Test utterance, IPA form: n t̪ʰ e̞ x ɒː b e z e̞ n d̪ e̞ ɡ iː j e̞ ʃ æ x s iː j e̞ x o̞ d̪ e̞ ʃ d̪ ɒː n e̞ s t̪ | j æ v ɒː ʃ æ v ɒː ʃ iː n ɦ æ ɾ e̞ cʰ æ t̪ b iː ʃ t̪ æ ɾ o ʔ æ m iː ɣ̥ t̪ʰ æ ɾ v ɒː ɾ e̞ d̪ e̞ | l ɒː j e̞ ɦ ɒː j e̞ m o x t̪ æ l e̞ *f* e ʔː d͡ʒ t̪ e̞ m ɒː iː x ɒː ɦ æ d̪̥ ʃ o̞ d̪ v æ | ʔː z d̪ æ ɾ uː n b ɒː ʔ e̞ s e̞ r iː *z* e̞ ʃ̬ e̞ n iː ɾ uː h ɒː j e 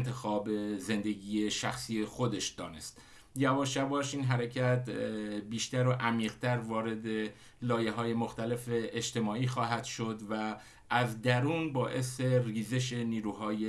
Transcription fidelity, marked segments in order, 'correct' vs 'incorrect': correct, correct

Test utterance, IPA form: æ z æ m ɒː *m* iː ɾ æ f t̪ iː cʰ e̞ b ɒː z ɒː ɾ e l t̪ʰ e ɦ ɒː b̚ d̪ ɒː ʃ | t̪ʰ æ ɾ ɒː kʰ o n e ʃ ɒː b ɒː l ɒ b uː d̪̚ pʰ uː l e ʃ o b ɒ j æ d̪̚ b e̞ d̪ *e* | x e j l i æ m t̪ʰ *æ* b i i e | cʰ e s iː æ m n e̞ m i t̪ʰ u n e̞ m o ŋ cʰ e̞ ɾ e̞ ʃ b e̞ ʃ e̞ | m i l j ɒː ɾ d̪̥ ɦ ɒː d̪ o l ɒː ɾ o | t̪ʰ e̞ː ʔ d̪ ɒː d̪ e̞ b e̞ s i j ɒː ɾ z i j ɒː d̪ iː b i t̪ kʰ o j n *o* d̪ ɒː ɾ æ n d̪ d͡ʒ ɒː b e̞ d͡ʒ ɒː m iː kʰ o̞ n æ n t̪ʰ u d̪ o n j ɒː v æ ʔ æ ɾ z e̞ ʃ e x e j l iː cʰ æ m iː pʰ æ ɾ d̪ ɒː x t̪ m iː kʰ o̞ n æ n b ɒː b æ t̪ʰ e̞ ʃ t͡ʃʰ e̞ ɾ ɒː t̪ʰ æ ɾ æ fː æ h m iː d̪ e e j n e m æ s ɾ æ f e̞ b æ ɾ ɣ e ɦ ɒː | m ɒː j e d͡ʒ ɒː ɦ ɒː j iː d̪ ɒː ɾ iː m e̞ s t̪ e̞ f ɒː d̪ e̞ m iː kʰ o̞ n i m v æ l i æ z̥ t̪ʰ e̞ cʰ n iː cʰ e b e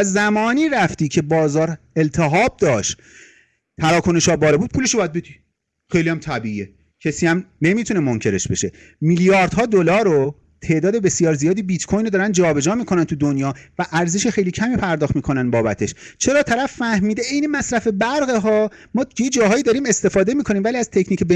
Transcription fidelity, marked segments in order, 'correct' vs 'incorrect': incorrect: n, incorrect: i, correct, correct

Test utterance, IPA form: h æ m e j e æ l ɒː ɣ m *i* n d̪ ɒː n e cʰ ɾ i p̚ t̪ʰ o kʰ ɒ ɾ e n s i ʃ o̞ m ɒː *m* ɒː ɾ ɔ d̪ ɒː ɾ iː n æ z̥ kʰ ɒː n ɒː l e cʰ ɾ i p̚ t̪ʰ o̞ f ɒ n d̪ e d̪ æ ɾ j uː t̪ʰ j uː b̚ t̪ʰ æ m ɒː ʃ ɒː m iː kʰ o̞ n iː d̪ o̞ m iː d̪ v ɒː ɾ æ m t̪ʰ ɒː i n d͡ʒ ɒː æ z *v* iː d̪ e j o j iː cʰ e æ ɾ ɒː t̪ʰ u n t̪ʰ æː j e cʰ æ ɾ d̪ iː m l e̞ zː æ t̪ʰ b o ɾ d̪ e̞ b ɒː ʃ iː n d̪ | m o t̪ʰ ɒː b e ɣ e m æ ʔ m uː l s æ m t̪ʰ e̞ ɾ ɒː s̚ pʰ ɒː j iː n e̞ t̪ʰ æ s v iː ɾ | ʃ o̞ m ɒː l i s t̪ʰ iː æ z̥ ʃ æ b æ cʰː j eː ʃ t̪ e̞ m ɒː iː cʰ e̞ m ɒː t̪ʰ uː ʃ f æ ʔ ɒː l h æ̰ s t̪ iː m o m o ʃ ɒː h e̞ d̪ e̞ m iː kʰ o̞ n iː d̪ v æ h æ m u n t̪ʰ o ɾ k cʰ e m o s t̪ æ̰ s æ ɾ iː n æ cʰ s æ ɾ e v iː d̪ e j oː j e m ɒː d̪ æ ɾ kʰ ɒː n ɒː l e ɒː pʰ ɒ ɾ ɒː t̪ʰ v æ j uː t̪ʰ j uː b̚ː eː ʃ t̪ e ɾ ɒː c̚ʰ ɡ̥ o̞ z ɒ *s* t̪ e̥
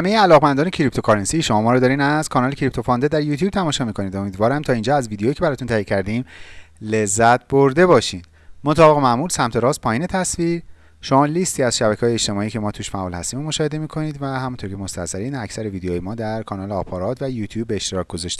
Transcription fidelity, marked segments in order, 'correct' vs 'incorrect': incorrect: æ, correct, correct, incorrect: ʃ

